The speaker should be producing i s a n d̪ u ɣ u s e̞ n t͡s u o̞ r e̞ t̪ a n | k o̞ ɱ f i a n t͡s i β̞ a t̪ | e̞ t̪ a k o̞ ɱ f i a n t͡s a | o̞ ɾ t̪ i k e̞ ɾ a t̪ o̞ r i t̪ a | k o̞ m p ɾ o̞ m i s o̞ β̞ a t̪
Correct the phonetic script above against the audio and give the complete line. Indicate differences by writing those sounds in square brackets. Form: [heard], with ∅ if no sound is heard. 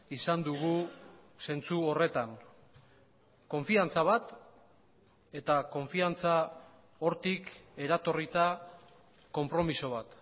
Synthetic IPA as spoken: i s a n d̪ u ɣ u s e̞ n t͡s u o̞ r e̞ t̪ a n | k o̞ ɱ f i a n t͡s [a] β̞ a t̪ | e̞ t̪ a k o̞ ɱ f i a n t͡s a | o̞ ɾ t̪ i k e̞ ɾ a t̪ o̞ r i t̪ a | k o̞ m p ɾ o̞ m i s o̞ β̞ a t̪